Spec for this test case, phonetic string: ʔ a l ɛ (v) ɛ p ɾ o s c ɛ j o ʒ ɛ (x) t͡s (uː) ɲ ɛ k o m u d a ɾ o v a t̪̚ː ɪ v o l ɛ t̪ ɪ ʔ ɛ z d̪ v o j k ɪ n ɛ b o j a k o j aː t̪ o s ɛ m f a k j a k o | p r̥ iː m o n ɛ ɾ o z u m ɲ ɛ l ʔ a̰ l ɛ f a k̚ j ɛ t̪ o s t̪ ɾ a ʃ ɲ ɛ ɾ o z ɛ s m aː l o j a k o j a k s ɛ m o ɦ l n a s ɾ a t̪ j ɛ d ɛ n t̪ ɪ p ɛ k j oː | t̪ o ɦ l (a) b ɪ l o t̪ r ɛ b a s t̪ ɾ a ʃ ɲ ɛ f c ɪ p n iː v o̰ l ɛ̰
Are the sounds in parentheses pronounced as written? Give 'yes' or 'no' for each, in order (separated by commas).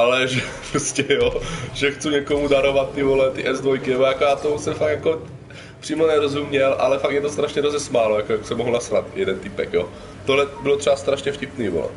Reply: no, yes, no, no